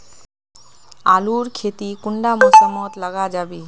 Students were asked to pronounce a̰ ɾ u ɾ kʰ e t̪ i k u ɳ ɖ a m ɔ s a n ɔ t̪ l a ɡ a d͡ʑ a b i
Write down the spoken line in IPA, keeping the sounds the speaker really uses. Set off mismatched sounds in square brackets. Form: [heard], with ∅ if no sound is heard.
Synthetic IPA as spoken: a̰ [l] u ɾ kʰ e t̪ i k u ɳ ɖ a m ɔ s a [m] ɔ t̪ l a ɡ a d͡ʑ a b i